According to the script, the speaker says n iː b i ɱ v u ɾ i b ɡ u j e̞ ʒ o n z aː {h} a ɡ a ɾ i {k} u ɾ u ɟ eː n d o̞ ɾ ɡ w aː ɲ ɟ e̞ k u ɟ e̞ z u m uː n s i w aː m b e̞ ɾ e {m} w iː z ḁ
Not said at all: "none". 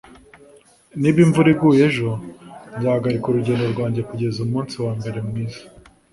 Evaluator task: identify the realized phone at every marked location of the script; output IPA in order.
h, k, m

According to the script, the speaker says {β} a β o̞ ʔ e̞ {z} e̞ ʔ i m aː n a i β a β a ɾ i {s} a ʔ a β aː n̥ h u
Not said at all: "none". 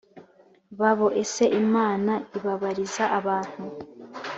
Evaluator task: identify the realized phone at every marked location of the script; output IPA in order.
β, s, z

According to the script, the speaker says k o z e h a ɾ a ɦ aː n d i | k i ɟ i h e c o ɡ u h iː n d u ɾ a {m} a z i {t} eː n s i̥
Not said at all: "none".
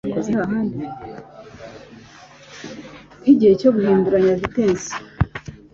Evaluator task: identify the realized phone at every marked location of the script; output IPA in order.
ɲ, t

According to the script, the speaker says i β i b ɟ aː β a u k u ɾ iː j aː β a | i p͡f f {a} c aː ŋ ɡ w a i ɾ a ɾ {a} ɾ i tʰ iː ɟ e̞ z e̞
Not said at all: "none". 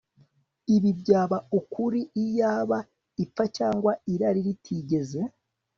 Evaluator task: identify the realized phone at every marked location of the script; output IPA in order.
a, i

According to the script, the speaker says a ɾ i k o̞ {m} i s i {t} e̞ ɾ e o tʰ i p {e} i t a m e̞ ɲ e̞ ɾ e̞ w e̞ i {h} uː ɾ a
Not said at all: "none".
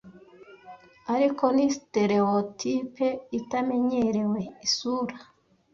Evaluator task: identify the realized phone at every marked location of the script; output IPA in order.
n, t, e, s

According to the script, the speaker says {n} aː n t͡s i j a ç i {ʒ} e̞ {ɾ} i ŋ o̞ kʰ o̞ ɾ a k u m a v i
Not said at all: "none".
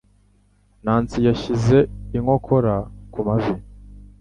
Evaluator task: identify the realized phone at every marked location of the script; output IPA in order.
n, z, none

